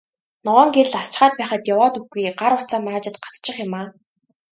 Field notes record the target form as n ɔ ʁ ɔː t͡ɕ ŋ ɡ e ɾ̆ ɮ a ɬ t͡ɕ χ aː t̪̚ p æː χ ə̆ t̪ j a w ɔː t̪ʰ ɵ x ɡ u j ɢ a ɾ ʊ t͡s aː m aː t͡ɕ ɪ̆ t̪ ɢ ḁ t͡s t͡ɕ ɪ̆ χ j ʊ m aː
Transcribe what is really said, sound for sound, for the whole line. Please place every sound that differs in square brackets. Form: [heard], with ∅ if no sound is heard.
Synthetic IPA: n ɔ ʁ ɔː [∅] ŋ ɡ e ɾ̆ ɮ a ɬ t͡ɕ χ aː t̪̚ p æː χ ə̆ t̪ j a w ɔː [t̪] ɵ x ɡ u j ɢ a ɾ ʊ t͡s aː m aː t͡ɕ ɪ̆ t̪ ɢ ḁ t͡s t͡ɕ ɪ̆ χ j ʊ m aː